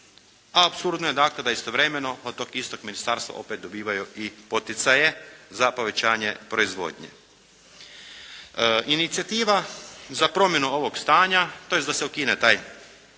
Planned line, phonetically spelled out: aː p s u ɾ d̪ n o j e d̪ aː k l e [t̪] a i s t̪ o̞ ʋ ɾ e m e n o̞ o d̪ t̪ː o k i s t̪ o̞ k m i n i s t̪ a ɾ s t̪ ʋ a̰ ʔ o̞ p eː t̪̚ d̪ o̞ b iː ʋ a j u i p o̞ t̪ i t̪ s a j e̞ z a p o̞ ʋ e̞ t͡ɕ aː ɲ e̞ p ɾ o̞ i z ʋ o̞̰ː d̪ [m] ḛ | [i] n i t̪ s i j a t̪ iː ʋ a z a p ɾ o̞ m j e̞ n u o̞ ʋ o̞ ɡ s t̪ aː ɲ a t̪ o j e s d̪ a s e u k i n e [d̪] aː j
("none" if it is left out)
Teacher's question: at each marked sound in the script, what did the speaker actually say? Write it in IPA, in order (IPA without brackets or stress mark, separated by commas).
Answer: d̪, ɲ, i, t̪